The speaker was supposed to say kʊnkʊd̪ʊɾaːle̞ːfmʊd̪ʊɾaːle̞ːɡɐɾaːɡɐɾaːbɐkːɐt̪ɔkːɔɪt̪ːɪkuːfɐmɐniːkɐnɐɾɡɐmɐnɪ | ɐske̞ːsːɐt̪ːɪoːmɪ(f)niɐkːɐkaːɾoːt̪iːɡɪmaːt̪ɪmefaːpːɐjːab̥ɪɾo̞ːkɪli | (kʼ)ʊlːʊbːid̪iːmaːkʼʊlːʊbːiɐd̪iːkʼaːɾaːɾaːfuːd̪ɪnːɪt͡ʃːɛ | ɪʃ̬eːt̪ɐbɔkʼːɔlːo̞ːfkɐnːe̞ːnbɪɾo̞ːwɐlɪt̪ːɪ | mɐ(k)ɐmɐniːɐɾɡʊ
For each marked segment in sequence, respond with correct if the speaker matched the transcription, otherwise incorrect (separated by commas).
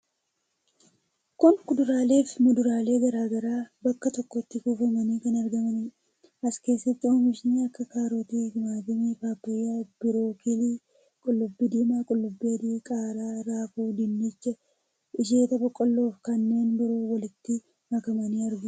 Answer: incorrect, correct, correct